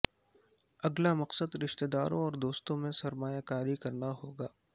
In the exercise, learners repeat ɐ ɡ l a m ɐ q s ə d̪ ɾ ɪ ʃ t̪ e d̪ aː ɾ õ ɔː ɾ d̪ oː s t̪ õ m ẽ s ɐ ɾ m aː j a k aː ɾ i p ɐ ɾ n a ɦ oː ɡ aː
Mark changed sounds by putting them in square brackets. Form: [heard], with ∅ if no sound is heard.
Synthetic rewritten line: ɐ ɡ l a m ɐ q s ə d̪ ɾ ɪ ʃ t̪ e d̪ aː ɾ õ ɔː ɾ d̪ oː s t̪ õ m ẽ s ɐ ɾ m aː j a k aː ɾ i [k] ɐ ɾ n a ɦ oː ɡ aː